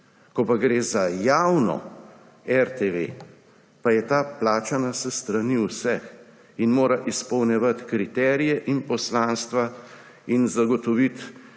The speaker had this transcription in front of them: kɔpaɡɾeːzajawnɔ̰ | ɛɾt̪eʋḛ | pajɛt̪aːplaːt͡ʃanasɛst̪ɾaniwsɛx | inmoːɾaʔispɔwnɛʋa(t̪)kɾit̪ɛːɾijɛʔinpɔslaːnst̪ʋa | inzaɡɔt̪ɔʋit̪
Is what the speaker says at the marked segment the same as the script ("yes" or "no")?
yes